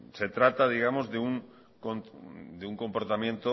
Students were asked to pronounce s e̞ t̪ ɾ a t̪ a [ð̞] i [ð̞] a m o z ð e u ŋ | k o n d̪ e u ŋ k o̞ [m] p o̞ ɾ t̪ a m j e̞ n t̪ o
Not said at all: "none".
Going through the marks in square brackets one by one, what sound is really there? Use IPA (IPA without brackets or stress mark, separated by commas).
ð̞, ɣ̞, m